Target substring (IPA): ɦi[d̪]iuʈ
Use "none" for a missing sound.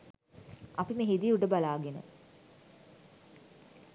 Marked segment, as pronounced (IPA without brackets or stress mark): d̪